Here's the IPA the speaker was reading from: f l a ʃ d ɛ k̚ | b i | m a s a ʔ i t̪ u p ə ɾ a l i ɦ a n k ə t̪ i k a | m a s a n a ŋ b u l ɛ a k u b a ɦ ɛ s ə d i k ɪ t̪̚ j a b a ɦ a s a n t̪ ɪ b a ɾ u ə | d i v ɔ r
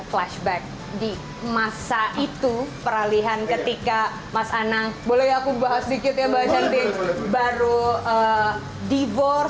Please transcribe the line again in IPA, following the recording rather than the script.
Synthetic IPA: f l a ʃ b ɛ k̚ | d i | m a s a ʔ i t̪ u p ə ɾ a l i ɦ a n k ə t̪ i k a | m a s a n a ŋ b o l ɛ a k u b a ɦ a s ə d i k ɪ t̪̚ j a b a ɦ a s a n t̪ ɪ b a ɾ u ə | d i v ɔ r